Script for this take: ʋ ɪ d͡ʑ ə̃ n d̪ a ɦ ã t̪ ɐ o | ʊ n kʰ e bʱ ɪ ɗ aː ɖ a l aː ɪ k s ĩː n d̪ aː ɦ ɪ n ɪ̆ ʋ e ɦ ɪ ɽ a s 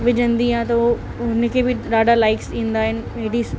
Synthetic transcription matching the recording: ʋ ɪ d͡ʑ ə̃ n d̪ i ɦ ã t̪ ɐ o | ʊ n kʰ e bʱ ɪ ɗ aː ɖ a l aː ɪ k s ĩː n d̪ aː ɦ ɪ n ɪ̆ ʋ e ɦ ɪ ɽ i s